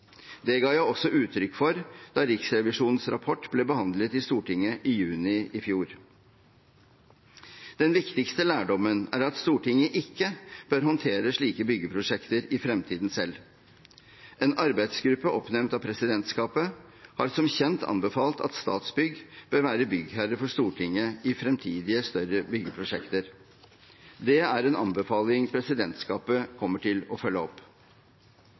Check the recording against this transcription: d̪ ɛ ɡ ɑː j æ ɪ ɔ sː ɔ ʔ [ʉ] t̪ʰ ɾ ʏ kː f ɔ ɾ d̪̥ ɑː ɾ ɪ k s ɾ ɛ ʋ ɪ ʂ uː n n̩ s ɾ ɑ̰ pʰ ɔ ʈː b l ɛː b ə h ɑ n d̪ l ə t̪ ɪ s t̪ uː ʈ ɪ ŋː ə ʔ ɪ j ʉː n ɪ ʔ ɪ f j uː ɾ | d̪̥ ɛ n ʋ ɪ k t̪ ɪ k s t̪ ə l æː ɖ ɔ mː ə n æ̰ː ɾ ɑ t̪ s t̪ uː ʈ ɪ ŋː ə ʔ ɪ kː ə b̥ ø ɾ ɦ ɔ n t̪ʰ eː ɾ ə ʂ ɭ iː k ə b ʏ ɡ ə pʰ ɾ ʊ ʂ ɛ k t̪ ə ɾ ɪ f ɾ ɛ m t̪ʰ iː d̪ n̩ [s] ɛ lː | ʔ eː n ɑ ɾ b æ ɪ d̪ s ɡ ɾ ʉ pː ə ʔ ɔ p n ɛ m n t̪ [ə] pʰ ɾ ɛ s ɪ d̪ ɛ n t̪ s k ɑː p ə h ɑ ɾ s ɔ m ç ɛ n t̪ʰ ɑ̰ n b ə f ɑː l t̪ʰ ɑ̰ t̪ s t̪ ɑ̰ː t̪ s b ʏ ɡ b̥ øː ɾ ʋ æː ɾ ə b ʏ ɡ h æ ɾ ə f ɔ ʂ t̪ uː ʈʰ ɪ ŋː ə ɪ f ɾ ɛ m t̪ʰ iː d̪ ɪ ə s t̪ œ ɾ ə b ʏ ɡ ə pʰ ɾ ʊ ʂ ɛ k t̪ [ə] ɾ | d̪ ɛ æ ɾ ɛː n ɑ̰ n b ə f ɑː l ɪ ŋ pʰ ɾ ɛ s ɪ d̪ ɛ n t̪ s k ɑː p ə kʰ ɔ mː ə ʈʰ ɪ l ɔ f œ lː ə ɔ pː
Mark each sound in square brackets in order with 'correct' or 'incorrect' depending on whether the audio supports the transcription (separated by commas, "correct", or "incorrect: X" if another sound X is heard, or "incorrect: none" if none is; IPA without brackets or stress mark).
incorrect: ʉː, correct, incorrect: ɑ, correct